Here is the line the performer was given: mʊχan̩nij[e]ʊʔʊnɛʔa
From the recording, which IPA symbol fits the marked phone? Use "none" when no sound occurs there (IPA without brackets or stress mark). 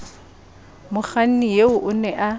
e